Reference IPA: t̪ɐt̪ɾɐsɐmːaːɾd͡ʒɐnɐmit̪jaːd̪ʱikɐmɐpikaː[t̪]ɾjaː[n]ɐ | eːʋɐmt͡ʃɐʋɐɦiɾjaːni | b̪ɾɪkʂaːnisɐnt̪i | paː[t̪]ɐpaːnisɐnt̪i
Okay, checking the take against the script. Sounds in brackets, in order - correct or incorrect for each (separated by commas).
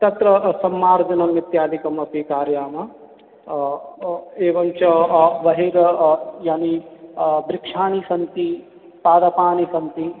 incorrect, incorrect, incorrect